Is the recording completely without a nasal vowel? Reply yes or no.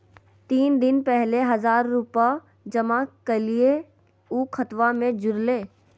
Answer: no